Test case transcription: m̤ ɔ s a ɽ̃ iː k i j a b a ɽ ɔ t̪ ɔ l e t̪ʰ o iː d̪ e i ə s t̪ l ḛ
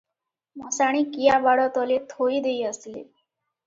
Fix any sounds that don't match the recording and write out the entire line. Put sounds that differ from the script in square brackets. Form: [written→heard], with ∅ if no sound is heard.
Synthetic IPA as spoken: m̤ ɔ s a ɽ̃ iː k i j a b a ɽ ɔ t̪ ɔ l e t̪ʰ o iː d̪ e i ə s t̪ l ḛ